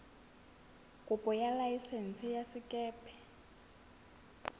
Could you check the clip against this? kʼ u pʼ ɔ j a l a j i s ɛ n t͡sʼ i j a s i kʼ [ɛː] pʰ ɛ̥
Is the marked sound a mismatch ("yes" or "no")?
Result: no